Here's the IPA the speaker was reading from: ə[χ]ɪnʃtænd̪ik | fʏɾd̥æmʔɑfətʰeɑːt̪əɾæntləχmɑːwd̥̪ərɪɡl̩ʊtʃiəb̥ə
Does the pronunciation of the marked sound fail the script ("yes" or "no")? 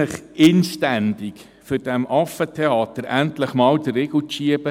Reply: no